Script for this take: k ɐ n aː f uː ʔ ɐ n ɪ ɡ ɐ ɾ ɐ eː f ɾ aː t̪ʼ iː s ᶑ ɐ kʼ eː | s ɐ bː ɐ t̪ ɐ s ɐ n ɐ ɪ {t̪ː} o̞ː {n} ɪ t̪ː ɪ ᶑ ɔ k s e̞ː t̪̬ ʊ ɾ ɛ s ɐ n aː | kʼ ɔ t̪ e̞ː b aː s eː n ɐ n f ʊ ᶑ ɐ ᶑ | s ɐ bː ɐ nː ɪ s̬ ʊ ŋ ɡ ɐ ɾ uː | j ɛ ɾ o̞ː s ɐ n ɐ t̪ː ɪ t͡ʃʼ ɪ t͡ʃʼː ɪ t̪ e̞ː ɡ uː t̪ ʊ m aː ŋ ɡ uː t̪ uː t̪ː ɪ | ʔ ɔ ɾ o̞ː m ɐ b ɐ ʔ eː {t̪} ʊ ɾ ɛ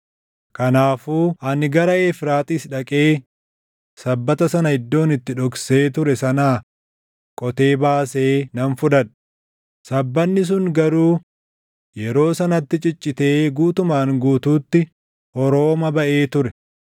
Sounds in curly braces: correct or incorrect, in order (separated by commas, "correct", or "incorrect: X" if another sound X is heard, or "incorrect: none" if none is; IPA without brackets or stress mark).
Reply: incorrect: d̪ː, correct, correct